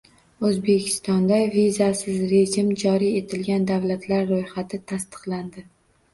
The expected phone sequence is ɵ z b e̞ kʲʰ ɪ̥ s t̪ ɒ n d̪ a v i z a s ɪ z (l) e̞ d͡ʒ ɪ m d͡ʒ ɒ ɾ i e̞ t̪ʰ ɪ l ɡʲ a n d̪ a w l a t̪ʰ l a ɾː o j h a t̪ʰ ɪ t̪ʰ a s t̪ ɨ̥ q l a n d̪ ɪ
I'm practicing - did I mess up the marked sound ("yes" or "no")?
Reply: yes